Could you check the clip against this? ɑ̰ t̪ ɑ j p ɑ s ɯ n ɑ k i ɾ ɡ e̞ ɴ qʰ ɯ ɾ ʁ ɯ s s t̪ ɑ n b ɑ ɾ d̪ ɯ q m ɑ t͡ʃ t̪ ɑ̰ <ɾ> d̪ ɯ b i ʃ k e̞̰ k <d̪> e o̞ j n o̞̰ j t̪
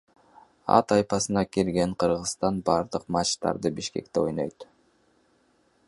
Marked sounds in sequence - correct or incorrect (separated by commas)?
correct, incorrect